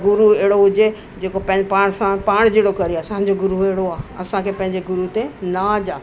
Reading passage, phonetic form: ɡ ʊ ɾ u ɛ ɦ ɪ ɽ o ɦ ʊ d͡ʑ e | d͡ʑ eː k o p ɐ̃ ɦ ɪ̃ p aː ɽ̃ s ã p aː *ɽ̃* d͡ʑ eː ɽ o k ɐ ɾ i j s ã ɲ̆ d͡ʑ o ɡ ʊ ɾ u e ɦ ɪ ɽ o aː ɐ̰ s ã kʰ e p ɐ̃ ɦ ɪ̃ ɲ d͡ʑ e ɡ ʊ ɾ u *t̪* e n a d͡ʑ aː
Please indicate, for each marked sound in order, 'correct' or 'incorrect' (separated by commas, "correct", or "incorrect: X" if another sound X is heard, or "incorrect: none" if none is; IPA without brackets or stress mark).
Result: correct, correct